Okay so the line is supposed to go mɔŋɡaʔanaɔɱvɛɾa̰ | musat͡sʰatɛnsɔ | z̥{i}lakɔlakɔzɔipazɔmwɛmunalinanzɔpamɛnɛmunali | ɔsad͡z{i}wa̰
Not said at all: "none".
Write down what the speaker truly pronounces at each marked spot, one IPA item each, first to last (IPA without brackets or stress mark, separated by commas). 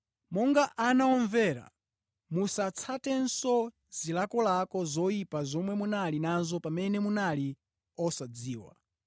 i, iː